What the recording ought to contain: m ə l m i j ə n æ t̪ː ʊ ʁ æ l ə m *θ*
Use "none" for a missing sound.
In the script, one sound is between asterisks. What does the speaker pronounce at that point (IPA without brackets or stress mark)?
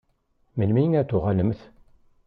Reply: θ